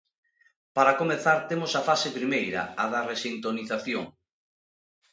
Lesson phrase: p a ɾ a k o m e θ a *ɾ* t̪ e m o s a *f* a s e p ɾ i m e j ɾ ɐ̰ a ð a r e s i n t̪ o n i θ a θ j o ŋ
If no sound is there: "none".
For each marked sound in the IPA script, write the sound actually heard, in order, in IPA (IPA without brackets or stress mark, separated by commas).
ɾ, f